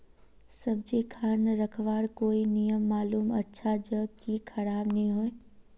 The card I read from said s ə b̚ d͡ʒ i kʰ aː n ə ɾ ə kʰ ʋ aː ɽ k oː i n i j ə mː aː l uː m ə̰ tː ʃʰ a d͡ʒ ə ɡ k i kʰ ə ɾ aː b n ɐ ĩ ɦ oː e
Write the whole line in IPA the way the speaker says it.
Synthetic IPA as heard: s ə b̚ d͡ʒ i kʰ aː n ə ɾ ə kʰ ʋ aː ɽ k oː i n i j ə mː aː l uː m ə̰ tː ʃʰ a d͡ʒ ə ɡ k i kʰ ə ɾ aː b n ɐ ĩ ɦ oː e